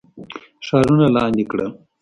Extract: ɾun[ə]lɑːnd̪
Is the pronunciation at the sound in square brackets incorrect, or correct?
incorrect